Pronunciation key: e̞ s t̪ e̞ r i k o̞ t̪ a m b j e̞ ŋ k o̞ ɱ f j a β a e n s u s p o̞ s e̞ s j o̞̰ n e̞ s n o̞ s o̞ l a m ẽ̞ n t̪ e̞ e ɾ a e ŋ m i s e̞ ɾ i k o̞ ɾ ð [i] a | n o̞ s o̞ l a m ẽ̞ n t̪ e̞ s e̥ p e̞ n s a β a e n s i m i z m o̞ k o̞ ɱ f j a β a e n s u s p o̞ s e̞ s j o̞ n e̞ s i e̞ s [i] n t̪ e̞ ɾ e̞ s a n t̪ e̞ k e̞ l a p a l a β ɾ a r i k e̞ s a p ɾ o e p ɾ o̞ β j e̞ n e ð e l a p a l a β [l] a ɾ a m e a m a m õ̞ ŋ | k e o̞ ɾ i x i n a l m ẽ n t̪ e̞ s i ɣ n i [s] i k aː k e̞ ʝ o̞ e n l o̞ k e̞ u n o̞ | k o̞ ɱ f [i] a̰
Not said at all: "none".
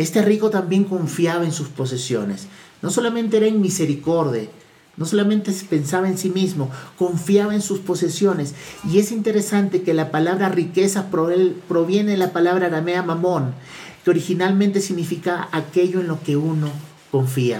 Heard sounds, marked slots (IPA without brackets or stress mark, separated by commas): j, i, ɾ, f, i